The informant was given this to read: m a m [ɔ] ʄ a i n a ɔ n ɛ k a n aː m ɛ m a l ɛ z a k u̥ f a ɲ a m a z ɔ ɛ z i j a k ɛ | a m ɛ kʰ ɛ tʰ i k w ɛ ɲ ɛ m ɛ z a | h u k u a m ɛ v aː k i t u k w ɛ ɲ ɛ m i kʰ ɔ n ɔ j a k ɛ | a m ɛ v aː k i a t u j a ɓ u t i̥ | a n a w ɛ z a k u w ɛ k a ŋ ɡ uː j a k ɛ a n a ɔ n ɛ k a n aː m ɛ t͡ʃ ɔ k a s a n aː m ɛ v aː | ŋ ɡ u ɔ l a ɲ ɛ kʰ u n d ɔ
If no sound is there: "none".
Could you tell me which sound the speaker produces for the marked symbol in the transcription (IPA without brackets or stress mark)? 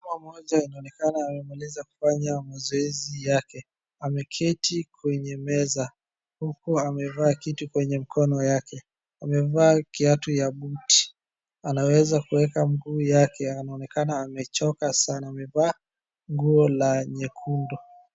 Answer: ɔ